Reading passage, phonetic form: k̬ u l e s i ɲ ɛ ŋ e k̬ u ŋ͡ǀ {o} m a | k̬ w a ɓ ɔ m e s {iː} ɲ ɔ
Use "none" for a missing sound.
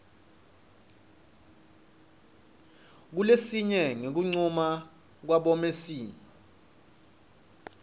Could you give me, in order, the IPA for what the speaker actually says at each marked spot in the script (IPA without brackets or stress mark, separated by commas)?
u, iː